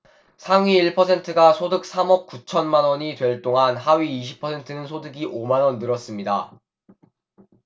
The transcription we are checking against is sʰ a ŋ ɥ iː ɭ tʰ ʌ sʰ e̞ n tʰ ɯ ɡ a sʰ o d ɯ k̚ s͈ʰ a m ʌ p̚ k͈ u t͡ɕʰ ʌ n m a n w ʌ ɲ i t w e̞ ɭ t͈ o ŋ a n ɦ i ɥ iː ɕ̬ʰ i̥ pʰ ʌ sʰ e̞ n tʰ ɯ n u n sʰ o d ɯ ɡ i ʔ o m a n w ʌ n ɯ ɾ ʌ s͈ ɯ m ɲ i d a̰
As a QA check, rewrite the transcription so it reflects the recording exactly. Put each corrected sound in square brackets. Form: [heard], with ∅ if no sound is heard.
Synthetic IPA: sʰ a ŋ ɥ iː ɭ [pʰ] ʌ sʰ e̞ n tʰ ɯ ɡ a sʰ o d ɯ k̚ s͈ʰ a m ʌ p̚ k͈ u t͡ɕʰ ʌ n m a n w ʌ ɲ i t w e̞ ɭ t͈ o ŋ a n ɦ [a] ɥ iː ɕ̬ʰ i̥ pʰ ʌ sʰ e̞ n tʰ ɯ n [ɯ] n sʰ o d ɯ ɡ i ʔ o m a n w ʌ [nː] ɯ ɾ ʌ s͈ ɯ m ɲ i d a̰